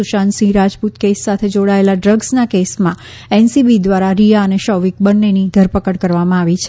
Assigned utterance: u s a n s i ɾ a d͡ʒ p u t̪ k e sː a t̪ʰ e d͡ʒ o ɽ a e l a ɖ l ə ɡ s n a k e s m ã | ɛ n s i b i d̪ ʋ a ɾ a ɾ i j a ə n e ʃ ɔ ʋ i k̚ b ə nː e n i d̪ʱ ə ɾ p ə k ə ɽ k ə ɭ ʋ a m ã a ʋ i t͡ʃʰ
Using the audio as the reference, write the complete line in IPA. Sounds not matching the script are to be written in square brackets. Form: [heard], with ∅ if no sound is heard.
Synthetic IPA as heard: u [ʃ] a n s i ɾ a d͡ʒ p u t̪ k e sː a t̪ʰ e d͡ʒ o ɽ a e l a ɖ [ɾ] ə ɡ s n a k e s m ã | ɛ n s i b i d̪ ʋ a ɾ a ɾ i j a ə n e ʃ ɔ ʋ i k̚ b ə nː e n i d̪ʱ ə ɾ p ə k ə ɽ k ə [ɾ] ʋ a m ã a ʋ i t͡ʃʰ